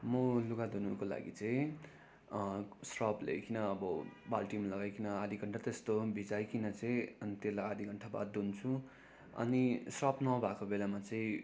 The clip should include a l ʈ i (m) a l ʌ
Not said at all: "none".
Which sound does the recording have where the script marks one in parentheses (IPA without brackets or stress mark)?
m